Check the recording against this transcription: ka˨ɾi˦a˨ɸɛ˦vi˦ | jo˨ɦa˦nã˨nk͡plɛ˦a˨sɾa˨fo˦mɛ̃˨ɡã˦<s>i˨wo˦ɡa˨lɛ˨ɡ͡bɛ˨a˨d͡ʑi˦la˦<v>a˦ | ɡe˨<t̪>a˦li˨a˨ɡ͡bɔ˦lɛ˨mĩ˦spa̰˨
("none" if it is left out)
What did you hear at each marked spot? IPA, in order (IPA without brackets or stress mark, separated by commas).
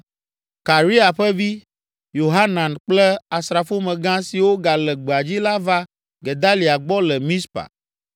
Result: s, v, d̪